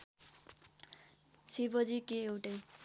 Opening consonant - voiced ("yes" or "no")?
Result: no